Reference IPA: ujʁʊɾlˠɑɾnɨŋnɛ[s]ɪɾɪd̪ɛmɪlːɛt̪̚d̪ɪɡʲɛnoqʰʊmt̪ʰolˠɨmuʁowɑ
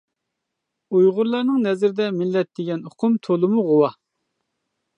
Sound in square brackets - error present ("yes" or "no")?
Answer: yes